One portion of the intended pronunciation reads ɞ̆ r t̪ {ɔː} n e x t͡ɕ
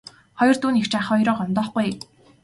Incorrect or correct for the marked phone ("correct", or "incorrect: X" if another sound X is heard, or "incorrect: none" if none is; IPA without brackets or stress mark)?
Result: incorrect: uː